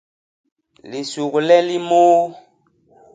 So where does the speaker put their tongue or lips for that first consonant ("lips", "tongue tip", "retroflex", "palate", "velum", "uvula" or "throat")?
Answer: tongue tip